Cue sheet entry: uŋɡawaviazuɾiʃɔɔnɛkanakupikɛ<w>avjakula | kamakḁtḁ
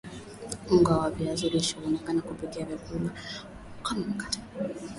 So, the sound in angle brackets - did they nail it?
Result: no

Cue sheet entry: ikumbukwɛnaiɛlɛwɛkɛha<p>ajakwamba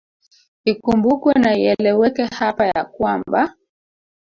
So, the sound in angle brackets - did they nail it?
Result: yes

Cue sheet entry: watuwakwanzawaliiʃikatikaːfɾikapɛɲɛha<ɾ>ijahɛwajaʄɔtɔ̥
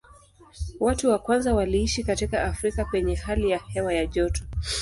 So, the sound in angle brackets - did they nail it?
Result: no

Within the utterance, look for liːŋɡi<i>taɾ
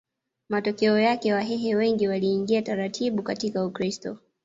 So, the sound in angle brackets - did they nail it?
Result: no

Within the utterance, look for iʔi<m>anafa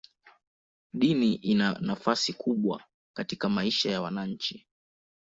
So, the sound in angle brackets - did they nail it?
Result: no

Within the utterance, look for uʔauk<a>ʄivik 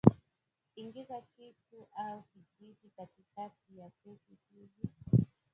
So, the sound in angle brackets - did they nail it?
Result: no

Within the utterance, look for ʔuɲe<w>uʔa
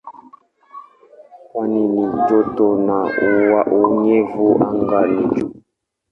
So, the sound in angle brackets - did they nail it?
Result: no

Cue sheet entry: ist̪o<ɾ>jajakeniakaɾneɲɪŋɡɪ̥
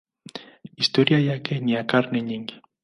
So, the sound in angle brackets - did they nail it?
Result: yes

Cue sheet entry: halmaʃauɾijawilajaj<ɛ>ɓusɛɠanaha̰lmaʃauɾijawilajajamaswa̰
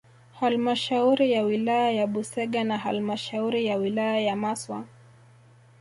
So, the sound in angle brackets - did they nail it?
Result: no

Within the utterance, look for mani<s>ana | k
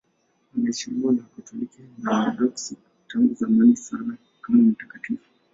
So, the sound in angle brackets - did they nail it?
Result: yes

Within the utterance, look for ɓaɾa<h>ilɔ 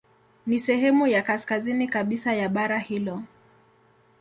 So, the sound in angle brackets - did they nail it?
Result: yes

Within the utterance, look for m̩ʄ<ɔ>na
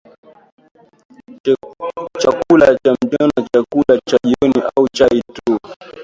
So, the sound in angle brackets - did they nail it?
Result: yes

